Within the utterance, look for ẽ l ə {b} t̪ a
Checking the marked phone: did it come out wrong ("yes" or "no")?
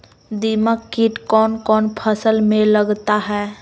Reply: yes